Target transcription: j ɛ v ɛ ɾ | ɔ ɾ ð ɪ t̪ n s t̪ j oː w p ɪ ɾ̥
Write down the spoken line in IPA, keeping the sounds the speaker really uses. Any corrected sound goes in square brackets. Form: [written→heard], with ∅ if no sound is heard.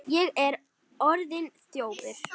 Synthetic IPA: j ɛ [v→ɣ] ɛ ɾ | ɔ ɾ ð ɪ [t̪→∅] n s t̪ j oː w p ɪ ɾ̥